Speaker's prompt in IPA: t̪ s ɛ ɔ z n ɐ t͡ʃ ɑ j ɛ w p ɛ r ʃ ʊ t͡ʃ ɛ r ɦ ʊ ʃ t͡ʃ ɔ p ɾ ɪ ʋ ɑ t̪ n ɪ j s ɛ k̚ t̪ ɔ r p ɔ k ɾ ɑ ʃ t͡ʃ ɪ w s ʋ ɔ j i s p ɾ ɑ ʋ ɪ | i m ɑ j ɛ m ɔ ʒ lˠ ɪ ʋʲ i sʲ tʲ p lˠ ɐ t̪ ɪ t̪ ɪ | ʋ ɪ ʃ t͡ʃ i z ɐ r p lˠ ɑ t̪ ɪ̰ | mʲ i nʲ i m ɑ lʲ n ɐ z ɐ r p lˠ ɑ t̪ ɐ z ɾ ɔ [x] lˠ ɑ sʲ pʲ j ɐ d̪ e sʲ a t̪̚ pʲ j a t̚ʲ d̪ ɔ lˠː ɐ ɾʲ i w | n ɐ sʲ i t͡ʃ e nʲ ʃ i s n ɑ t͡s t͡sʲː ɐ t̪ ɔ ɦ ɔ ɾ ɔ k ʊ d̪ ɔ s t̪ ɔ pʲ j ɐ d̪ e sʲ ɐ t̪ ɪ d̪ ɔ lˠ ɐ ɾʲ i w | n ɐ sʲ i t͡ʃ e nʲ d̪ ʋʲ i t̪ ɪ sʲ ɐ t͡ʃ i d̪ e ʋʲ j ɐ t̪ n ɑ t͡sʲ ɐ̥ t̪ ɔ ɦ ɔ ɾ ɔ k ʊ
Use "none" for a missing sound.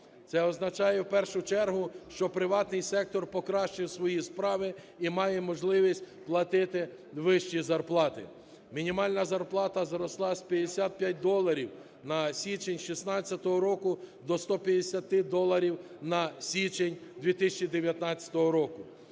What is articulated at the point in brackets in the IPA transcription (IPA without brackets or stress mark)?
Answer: s